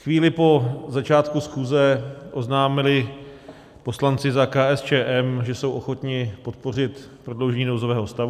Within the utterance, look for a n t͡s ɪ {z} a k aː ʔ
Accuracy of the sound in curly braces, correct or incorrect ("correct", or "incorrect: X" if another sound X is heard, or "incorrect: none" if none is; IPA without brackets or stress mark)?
correct